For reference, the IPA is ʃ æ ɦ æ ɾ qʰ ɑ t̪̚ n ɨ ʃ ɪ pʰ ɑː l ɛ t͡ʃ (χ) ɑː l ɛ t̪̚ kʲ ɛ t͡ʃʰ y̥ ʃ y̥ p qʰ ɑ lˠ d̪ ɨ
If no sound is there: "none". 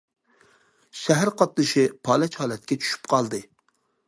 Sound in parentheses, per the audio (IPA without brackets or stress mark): h